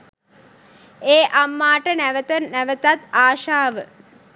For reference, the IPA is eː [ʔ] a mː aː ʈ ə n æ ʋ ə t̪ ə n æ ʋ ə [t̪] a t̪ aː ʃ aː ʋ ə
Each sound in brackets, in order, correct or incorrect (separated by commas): correct, correct